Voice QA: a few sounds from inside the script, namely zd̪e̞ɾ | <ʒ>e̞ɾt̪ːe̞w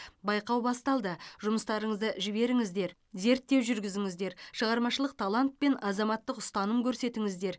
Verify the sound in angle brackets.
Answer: incorrect: z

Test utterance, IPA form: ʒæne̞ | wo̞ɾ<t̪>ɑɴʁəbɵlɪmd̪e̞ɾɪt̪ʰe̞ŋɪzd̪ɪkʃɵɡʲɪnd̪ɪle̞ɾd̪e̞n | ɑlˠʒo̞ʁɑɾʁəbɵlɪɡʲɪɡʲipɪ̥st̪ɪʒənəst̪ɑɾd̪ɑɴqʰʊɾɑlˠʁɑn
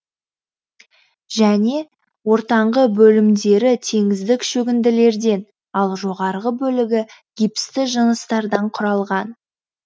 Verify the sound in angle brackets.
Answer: correct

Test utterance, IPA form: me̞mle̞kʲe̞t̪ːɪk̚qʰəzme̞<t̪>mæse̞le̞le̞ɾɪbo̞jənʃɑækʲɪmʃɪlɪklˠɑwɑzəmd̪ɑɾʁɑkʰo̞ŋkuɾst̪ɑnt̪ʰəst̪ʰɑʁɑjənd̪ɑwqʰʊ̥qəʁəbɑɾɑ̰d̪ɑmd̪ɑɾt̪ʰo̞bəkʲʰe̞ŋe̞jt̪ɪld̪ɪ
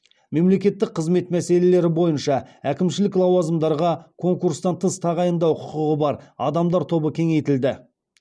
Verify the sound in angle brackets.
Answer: correct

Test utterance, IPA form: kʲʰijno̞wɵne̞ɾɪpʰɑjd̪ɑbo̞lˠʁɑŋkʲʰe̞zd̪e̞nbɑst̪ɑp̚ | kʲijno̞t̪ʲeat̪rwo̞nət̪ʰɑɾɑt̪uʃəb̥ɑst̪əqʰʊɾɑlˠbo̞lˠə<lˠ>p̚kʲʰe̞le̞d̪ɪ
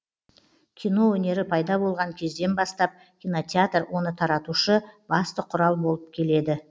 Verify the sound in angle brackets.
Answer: incorrect: none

